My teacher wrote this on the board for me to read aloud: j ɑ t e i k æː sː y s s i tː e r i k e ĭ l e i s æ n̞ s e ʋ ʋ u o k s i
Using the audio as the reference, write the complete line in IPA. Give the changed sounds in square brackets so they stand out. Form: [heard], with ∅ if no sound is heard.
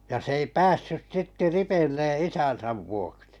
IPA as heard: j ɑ [s] e i [p] æː sː y s s i tː e r i [p] e ĭ [lː] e i s æ n̞ s [æ] ʋ ʋ u o k s i